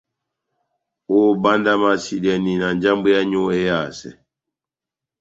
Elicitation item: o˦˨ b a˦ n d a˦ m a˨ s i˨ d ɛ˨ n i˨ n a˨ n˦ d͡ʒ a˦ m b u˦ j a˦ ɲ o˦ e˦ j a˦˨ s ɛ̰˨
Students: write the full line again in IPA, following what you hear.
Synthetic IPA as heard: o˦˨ b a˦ n d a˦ m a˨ s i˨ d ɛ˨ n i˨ n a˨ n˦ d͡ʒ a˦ m b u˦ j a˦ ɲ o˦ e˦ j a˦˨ s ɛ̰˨